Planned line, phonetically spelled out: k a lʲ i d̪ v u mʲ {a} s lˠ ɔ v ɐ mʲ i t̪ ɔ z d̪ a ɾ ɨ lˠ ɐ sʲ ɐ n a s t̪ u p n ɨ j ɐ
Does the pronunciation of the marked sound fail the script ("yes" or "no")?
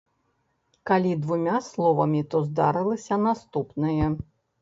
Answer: no